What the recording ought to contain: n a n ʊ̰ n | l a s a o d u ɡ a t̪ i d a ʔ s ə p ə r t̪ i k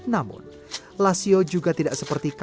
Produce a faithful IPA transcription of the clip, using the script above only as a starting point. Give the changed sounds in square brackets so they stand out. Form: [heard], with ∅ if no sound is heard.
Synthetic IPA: n a [m] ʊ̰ n | l a s [i] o [d͡ʒ] u ɡ a t̪ i d a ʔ s ə p ə r t̪ i k